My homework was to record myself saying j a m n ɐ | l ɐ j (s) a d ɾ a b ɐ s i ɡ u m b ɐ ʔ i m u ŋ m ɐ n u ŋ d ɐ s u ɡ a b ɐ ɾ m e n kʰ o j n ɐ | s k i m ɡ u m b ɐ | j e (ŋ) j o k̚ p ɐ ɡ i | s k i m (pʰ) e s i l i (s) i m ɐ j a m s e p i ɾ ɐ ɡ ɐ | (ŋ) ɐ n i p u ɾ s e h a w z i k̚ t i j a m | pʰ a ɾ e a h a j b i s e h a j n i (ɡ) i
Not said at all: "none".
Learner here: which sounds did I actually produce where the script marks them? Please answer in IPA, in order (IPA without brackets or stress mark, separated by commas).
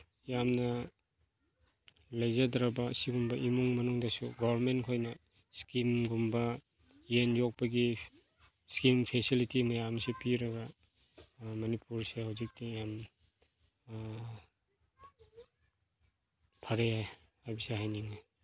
z, n, pʰ, t, m, ŋ